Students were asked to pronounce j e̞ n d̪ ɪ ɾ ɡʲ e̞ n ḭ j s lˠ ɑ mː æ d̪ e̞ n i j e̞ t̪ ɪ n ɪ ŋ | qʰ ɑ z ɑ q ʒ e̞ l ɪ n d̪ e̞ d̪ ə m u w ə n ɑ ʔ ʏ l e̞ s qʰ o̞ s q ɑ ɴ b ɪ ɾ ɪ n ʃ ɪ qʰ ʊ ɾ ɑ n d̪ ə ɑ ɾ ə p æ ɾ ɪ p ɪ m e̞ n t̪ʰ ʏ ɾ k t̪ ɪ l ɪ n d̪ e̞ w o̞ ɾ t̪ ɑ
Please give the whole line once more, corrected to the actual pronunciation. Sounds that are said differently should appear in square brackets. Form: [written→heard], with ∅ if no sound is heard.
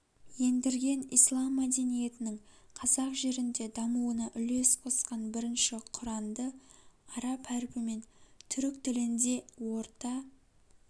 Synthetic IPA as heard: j e̞ n d̪ ɪ ɾ ɡʲ e̞ n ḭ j s lˠ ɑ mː æ d̪ e̞ n i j e̞ t̪ ɪ n ɪ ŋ | qʰ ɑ z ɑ q ʒ e̞ [l→ɾ] ɪ n d̪ e̞ d̪ [ə→ɑ] m u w ə n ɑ ʔ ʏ l e̞ s qʰ o̞ s q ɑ [ɴ→n] b ɪ ɾ ɪ n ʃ ɪ qʰ ʊ ɾ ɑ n d̪ ə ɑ ɾ [ə→ɑ] p æ ɾ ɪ p ɪ m e̞ n t̪ʰ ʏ ɾ k t̪ ɪ l ɪ n d̪ e̞ w o̞ ɾ t̪ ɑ